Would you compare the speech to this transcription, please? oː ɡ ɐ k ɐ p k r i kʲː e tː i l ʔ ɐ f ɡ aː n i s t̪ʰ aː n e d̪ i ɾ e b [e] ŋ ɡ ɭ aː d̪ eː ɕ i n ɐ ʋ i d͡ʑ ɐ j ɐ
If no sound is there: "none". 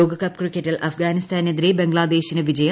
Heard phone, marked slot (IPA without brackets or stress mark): e